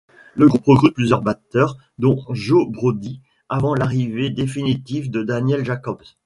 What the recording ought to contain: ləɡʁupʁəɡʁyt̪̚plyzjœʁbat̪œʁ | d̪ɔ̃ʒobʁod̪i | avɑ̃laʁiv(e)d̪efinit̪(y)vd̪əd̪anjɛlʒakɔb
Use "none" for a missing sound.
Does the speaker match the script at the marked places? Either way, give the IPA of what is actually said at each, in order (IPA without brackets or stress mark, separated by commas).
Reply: e, i